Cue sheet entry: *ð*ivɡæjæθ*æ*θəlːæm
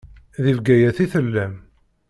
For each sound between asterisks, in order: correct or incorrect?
correct, incorrect: i

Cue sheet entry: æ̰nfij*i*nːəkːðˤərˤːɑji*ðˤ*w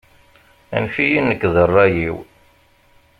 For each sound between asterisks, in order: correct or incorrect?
correct, incorrect: none

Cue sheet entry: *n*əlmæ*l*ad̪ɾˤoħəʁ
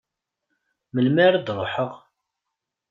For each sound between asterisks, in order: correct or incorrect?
incorrect: m, incorrect: ɾ

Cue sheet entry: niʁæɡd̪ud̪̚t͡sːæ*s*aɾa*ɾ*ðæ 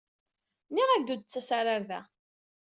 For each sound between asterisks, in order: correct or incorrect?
correct, correct

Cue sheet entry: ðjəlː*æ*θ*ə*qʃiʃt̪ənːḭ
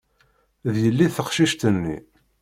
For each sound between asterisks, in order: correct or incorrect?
incorrect: i, correct

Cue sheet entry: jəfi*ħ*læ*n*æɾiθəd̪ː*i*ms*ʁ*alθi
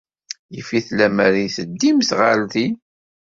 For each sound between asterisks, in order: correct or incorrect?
incorrect: θ, incorrect: m, correct, correct

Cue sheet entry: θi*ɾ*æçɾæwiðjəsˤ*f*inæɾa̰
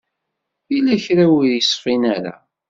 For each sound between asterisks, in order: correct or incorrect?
incorrect: l, correct

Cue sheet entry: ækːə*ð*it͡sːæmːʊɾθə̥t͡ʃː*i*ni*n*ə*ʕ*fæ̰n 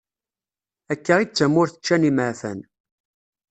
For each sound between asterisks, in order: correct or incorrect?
incorrect: ʁ, incorrect: æ, incorrect: m, correct

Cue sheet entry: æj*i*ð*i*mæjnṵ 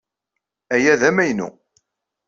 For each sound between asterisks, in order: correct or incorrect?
incorrect: æ, incorrect: æ

